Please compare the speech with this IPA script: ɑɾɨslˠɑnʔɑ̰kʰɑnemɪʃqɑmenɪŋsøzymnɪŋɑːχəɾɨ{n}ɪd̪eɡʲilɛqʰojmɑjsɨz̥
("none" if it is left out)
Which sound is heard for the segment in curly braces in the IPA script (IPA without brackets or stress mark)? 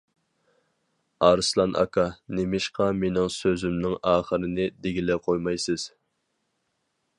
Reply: n